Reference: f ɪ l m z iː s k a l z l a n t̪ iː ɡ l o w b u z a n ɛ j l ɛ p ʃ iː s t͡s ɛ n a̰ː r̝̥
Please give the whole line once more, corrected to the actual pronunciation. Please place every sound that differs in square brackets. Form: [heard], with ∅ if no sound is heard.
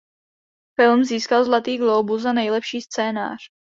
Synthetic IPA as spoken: f ɪ l m z iː s k a l z l a [∅] t̪ iː ɡ l o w b u z a n ɛ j l ɛ p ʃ iː s t͡s [ɛː] n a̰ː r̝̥